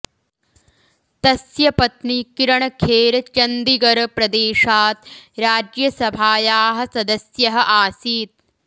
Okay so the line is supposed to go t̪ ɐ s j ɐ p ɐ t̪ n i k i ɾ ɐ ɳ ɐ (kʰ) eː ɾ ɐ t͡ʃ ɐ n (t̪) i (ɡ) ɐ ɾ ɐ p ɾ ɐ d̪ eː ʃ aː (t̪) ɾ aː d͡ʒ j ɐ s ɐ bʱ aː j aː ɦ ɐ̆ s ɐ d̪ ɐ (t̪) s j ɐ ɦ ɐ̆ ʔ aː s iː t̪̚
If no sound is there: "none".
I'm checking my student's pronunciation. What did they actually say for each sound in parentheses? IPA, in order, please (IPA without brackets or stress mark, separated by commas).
kʰ, d̪, ɡ, t̪, none